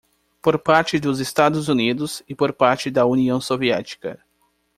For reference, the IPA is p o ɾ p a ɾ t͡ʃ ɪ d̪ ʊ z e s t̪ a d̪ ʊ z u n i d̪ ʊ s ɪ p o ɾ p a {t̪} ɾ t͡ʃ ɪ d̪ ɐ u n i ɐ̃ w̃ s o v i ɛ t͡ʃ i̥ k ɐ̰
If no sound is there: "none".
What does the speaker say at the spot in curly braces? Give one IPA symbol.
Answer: none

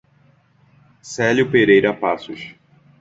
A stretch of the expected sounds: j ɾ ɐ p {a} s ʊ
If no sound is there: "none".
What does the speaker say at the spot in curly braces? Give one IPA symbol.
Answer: a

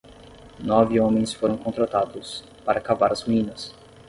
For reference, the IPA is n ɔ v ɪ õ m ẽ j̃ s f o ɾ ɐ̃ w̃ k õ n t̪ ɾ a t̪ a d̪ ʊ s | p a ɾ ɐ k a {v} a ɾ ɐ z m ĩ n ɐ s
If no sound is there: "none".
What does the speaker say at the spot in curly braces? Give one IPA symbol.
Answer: v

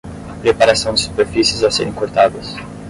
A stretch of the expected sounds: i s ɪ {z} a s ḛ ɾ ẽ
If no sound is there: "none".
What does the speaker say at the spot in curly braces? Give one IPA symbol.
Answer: z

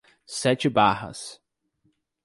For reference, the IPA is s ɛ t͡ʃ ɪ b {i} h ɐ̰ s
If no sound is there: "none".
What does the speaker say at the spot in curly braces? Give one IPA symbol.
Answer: a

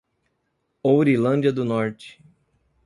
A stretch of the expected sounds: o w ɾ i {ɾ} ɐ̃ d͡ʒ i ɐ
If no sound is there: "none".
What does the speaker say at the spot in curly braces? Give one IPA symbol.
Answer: l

